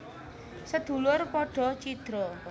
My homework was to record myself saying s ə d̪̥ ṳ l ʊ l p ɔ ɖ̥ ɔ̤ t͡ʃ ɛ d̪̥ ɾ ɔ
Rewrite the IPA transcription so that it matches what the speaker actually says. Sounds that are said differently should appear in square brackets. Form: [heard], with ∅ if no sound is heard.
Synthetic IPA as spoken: s ə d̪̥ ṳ l ʊ [r] p ɔ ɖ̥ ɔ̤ t͡ʃ [i] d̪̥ ɾ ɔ